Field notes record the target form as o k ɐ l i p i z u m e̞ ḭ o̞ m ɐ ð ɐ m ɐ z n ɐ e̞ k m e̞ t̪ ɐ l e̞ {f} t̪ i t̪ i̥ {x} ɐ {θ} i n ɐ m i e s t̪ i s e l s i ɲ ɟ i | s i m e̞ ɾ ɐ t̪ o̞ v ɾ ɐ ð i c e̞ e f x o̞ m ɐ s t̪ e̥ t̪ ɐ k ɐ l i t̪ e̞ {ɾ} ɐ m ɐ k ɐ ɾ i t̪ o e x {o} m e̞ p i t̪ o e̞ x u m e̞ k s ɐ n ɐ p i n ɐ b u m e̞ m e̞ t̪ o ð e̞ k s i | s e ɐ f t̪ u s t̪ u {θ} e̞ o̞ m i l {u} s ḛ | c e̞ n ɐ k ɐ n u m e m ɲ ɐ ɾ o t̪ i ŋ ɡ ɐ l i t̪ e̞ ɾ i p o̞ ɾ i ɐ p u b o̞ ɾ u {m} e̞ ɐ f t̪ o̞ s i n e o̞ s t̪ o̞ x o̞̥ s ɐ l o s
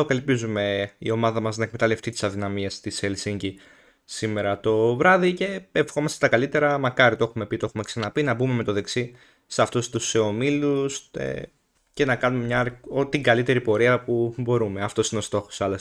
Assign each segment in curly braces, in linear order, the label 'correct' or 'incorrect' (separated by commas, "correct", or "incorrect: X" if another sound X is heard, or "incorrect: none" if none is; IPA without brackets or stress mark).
correct, incorrect: s, incorrect: ð, correct, incorrect: u, incorrect: s, correct, correct